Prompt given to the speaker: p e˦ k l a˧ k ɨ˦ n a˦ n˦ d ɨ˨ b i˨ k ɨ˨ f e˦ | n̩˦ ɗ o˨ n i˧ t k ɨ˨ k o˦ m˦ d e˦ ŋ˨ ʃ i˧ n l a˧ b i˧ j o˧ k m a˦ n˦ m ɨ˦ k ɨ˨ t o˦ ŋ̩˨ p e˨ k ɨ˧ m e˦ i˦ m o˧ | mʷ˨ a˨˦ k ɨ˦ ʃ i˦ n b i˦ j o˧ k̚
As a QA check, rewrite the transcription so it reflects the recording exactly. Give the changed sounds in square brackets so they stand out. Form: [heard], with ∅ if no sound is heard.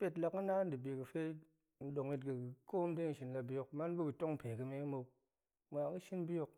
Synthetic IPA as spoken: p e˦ [t] l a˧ k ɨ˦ n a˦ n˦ d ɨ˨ b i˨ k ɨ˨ f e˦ | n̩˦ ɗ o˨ [ŋ] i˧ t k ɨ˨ k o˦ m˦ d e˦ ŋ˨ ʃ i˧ n l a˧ b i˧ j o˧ k m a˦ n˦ [b] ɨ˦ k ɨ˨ t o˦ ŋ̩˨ p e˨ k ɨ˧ m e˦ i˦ m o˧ | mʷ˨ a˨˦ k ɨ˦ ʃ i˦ n b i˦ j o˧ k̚